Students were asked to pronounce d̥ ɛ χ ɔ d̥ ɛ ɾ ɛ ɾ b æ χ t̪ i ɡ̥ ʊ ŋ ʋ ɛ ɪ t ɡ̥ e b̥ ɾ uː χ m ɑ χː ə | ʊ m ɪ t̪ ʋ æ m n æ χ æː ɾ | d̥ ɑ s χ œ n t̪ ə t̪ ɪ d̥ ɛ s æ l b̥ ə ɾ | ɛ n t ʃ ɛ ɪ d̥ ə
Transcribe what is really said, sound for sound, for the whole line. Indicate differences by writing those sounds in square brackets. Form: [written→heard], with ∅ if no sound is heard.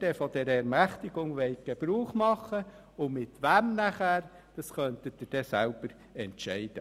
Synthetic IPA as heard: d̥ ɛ [χ→f] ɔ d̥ ɛ ɾ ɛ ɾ [b→m] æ χ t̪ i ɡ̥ ʊ ŋ ʋ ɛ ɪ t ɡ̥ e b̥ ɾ uː χ m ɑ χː ə | ʊ m ɪ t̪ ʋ æ m n æ χ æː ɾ | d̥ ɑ s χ œ n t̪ ə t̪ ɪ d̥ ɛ s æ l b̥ ə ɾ | ɛ n t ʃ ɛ ɪ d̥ ə